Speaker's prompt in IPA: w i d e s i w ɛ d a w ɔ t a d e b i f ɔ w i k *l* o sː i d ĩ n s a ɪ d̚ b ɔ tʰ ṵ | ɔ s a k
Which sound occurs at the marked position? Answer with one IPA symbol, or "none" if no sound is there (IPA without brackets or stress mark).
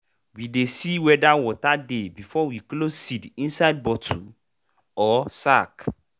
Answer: l